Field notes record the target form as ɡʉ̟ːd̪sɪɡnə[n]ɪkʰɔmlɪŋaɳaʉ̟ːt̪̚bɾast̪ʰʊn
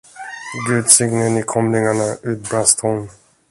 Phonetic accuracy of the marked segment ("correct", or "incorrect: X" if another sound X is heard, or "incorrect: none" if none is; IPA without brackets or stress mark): correct